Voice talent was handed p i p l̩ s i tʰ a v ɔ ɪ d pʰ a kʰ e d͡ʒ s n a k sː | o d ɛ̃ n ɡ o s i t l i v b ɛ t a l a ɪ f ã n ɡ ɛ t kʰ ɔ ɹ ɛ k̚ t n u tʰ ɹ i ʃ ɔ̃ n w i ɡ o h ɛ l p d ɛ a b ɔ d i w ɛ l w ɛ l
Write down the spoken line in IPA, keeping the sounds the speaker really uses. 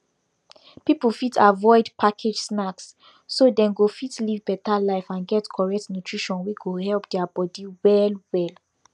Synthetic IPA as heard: p i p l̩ f i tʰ a v ɔ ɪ d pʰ a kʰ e d͡ʒ s n a k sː | o d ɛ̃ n ɡ o f i t l i v b ɛ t a l a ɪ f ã n ɡ ɛ t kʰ ɔ ɹ ɛ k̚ t n u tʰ ɹ i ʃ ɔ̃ n w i ɡ o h ɛ l p d ɛ a b ɔ d i w ɛ l w ɛ l